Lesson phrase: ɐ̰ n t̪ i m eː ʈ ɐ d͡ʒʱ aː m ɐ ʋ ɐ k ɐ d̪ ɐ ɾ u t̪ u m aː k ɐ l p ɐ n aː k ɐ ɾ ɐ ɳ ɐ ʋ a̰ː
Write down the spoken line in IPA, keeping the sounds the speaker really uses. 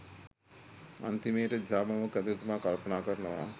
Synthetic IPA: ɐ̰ n t̪ i m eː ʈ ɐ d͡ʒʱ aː m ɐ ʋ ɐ k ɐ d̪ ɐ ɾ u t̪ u m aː k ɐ l p ɐ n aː k ɐ ɾ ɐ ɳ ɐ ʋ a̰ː